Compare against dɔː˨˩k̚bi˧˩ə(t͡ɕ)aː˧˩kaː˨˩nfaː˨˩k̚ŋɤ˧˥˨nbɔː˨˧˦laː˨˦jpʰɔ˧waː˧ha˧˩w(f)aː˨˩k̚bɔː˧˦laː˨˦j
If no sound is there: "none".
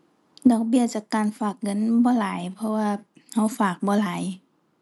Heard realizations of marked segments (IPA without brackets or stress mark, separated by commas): t͡ɕ, f